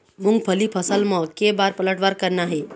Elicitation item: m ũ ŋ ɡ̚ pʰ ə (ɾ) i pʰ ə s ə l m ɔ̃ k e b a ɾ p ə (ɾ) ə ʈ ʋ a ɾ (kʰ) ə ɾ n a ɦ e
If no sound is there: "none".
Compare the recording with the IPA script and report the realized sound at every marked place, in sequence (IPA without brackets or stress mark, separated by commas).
l, l, k